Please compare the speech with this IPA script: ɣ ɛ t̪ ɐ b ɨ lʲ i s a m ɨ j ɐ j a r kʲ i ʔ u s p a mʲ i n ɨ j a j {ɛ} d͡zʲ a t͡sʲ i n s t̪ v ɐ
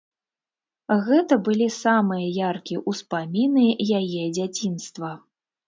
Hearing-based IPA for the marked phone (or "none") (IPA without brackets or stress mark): ɛ